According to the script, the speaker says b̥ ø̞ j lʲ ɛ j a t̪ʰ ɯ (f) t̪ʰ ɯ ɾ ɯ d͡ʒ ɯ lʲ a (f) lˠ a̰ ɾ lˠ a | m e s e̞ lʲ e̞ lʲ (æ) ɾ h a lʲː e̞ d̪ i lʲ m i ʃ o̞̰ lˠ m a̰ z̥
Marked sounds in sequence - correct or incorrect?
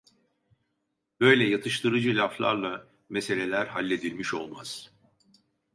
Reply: incorrect, correct, correct

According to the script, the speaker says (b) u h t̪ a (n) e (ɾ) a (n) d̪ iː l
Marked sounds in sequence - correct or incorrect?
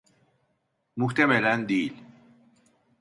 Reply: incorrect, incorrect, incorrect, correct

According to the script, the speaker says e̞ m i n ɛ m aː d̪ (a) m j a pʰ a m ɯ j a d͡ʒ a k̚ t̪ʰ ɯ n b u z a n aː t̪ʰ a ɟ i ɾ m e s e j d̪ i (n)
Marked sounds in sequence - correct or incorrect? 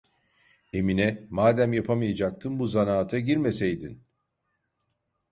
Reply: incorrect, correct

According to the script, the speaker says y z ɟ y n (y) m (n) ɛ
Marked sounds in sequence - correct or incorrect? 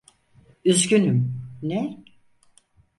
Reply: correct, correct

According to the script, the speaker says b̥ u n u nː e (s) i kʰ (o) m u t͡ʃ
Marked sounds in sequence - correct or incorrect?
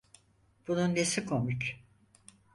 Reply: correct, correct

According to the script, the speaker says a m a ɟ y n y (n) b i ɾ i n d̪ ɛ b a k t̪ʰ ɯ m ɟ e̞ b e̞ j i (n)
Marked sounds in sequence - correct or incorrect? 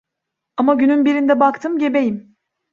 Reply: correct, incorrect

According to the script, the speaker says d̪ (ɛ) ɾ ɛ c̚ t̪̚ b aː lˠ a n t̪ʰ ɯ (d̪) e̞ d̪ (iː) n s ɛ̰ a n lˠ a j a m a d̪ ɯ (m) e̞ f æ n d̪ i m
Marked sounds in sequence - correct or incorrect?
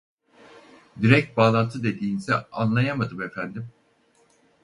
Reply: incorrect, correct, correct, correct

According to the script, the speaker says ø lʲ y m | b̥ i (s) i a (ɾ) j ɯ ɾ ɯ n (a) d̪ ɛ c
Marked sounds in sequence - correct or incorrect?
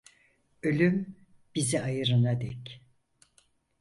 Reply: incorrect, incorrect, correct

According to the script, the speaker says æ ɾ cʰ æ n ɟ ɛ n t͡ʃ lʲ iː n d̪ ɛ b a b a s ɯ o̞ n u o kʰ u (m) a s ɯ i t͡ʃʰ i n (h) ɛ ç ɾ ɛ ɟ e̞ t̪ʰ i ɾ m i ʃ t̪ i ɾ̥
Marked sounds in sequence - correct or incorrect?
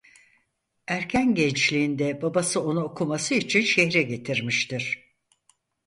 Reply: correct, incorrect

